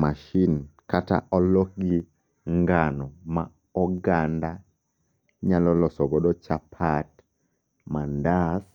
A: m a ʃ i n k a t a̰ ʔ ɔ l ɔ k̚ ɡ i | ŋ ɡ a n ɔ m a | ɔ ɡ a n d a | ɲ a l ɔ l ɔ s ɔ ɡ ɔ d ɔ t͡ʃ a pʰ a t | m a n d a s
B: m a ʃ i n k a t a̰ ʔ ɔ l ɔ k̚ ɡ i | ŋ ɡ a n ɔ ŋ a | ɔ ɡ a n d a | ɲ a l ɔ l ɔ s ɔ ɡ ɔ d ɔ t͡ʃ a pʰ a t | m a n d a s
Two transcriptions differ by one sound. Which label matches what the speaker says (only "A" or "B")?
A